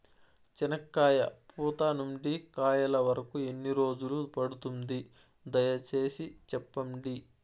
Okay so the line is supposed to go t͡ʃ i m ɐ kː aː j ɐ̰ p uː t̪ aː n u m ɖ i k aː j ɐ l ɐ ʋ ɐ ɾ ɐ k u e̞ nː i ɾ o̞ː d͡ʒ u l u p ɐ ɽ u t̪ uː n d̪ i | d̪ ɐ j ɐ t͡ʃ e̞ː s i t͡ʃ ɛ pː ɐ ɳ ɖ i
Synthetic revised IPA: t͡ʃ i n ɐ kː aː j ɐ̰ p uː t̪ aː n u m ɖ i k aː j ɐ l ɐ ʋ ɐ ɾ ɐ k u e̞ nː i ɾ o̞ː d͡ʒ u l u p ɐ ɽ u t̪ u n d̪ i | d̪ ɐ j ɐ t͡ʃ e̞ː s i t͡ʃ ɛ pː ɐ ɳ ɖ i